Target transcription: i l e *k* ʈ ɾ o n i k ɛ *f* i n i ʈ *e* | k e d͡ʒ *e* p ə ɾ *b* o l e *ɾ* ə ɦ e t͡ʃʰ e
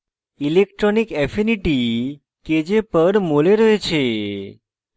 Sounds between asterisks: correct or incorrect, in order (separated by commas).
correct, correct, incorrect, correct, incorrect, correct